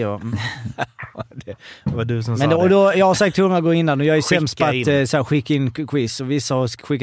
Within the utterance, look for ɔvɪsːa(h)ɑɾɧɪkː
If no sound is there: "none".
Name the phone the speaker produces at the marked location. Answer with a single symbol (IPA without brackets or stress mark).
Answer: h